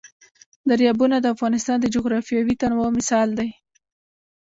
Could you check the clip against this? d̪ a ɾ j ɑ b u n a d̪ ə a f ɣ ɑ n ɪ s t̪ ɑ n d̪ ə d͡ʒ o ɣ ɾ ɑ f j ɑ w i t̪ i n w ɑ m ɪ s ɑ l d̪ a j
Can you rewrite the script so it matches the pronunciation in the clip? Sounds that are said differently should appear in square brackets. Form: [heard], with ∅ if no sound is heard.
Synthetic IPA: d̪ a ɾ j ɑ b u n a d̪ ə a f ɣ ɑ n ɪ s t̪ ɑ n d̪ ə d͡ʒ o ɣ ɾ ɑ f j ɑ w i t̪ [a] n w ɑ m ɪ s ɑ l d̪ a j